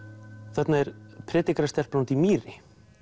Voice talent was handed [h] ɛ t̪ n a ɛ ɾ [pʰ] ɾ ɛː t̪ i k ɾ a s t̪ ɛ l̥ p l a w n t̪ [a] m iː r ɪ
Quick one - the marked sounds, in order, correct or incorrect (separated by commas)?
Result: incorrect, correct, incorrect